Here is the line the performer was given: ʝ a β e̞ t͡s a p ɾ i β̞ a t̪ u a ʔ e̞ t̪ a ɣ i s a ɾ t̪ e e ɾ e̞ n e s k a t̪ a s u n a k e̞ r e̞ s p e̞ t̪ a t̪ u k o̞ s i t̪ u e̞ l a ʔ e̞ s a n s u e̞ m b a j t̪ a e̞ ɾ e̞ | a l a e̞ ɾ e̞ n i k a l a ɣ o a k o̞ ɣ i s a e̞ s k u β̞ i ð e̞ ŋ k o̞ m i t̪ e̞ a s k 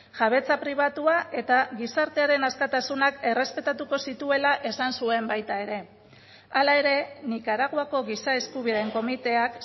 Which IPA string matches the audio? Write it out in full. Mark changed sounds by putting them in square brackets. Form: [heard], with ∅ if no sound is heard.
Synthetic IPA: ʝ a β e̞ t͡s a p ɾ i β̞ a t̪ u a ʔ e̞ t̪ a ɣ i s a ɾ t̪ e [a] ɾ e̞ n [a] s k a t̪ a s u n a k e̞ r e̞ s p e̞ t̪ a t̪ u k o̞ s i t̪ u e̞ l a ʔ e̞ s a n s u e̞ m b a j t̪ a e̞ ɾ e̞ | a l a e̞ ɾ e̞ n i k a [ɾ] a ɣ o a k o̞ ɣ i s a e̞ s k u β̞ i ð e̞ ŋ k o̞ m i t̪ e̞ a [∅] k